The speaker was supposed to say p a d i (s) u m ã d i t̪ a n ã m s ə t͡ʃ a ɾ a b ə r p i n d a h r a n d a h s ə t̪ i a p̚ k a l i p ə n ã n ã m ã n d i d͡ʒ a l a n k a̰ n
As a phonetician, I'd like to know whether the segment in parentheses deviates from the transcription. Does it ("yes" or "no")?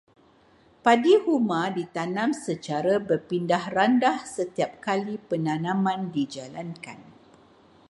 yes